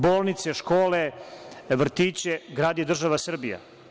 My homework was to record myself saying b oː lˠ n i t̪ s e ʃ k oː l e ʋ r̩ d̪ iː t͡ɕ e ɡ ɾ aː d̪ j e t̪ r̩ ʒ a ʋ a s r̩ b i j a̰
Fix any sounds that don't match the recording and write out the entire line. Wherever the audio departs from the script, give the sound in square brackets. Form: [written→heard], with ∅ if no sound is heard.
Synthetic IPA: b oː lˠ n i t̪ s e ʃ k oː l e ʋ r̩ [d̪→t̪] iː t͡ɕ e ɡ ɾ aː d̪ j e [t̪→d̪] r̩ ʒ a ʋ a s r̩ b i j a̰